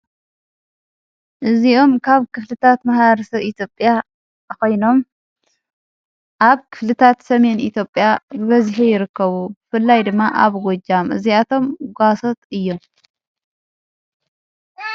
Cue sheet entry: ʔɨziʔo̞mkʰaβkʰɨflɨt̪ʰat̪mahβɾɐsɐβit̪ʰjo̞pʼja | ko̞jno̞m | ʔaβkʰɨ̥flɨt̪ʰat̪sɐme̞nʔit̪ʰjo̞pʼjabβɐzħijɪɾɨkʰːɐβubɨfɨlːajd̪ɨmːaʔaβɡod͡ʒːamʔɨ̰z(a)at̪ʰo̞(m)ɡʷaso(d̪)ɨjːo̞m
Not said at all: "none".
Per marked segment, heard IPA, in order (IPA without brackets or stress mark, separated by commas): i, m, t̪